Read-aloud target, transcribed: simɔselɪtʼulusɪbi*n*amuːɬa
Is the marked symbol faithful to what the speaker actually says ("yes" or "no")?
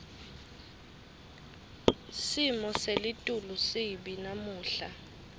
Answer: yes